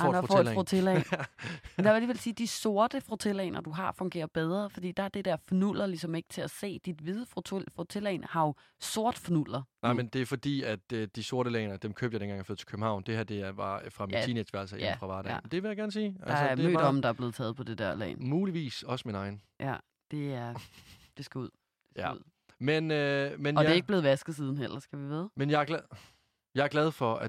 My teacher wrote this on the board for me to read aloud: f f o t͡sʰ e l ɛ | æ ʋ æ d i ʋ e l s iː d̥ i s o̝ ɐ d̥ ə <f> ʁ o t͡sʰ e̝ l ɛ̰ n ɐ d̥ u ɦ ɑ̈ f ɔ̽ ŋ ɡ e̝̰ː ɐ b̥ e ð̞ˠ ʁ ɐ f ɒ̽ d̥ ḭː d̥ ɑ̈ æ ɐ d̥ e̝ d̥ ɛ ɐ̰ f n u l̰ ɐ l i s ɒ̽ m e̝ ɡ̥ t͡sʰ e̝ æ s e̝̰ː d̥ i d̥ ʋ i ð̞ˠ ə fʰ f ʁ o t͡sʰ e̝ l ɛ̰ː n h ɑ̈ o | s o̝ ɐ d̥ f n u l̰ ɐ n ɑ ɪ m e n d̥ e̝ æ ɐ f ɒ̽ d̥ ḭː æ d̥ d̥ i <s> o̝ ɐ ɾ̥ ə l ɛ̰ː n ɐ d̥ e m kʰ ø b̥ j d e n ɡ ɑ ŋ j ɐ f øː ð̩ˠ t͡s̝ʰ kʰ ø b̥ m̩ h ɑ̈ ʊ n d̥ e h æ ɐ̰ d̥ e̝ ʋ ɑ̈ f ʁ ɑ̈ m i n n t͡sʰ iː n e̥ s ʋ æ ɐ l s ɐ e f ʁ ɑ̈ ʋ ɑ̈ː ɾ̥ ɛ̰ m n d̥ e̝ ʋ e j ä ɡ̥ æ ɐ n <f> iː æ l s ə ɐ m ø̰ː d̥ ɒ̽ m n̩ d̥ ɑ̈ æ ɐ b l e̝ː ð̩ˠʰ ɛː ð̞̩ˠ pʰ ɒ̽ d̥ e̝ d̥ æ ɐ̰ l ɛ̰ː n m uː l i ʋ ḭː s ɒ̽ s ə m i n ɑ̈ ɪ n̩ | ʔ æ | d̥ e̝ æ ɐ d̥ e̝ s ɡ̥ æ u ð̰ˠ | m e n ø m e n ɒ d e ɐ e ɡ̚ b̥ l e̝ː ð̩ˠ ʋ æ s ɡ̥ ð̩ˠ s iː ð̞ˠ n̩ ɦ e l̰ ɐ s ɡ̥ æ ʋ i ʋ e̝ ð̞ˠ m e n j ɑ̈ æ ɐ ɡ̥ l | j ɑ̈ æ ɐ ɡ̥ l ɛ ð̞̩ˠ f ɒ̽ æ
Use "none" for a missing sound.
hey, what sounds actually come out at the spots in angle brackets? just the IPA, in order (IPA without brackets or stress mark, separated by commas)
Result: f, s, s